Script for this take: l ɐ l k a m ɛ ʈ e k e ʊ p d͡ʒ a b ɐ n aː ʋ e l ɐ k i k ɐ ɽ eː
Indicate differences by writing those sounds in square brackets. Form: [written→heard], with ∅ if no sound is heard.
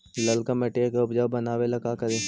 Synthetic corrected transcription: l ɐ l k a m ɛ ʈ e k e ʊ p d͡ʒ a b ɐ n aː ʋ e l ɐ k [i→a] k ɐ [ɽ→ɾ] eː